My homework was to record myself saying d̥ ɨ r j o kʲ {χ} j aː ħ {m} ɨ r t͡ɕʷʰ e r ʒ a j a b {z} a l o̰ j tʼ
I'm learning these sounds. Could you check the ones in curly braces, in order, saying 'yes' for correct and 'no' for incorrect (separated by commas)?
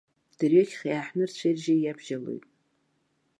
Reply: yes, no, no